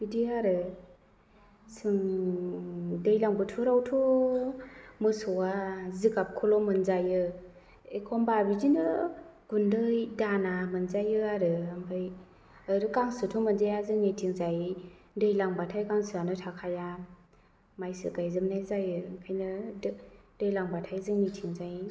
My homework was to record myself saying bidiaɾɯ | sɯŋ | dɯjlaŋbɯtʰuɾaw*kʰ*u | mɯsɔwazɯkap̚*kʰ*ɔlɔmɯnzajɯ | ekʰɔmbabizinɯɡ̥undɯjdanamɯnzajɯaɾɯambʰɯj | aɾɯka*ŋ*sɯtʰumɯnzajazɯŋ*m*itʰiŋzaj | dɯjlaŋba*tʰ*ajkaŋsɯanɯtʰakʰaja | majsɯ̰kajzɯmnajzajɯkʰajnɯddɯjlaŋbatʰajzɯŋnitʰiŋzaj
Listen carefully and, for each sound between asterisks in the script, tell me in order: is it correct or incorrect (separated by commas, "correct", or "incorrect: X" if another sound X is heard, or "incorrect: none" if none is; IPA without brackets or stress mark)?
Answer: incorrect: tʰ, correct, correct, incorrect: n, correct